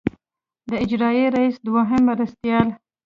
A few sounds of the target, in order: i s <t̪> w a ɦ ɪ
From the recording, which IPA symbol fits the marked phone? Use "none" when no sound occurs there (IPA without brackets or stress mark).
d̪